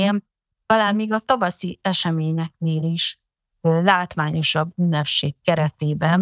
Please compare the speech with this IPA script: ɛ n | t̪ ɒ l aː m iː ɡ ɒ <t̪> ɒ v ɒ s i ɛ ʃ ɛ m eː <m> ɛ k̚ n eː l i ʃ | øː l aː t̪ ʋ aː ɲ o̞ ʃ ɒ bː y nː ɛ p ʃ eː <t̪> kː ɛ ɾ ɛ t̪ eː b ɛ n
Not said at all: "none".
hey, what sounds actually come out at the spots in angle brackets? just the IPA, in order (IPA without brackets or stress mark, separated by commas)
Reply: t̪, ɲ, none